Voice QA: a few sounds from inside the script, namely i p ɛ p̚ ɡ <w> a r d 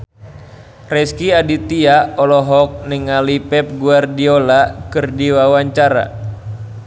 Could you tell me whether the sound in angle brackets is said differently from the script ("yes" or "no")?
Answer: yes